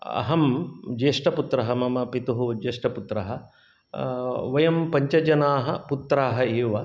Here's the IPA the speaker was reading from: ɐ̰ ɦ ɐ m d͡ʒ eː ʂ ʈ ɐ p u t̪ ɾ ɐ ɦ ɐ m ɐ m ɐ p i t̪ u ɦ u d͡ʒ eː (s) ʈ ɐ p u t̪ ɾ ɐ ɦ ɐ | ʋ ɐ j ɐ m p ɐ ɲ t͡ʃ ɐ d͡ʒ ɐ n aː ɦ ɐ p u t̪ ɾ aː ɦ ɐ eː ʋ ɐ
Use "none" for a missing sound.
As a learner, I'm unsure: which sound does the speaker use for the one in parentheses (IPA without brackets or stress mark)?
ʂ